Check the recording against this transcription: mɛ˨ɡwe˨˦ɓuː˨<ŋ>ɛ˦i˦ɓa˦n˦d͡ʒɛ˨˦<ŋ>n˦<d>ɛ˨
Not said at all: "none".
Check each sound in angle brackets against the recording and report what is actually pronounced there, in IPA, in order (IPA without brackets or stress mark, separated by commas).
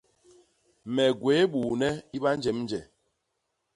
n, m, d͡ʒ